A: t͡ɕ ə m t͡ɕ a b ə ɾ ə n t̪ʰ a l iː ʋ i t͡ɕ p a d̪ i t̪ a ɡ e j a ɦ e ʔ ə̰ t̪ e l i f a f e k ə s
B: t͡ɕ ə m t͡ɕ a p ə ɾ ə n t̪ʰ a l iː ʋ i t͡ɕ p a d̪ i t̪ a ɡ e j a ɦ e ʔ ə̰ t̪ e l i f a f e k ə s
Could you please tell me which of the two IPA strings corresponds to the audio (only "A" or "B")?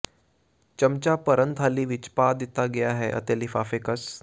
B